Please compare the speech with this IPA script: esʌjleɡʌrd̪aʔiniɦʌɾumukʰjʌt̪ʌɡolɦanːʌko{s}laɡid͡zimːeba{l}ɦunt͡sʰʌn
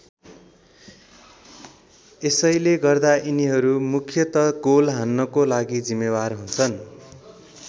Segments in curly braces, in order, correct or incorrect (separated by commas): incorrect, incorrect